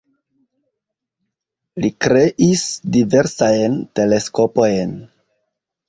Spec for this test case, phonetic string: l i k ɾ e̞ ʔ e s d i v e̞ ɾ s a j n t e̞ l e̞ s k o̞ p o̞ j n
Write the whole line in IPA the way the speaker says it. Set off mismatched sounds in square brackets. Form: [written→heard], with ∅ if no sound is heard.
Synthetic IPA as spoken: l i k ɾ e̞ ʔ [e→i] s d i v e̞ ɾ s a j n t e̞ l e̞ s k o̞ p o̞ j n